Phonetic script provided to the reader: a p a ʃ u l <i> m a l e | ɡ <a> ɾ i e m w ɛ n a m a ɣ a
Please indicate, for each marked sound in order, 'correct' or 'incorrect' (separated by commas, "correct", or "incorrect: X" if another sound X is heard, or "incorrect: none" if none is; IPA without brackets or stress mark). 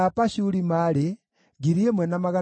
correct, incorrect: i